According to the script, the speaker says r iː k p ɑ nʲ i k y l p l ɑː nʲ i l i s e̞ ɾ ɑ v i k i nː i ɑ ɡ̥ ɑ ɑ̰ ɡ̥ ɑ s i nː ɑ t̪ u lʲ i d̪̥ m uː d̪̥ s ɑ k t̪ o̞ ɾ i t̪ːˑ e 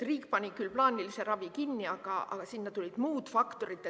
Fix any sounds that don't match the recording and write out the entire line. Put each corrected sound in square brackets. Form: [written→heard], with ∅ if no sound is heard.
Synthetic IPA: r iː k p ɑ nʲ i k y l p l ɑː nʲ i l i s e̞ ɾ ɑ v i k i nː i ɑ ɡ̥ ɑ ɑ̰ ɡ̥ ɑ s i nː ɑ t̪ u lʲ i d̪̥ m uː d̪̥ [s→f] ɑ k t̪ o̞ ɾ i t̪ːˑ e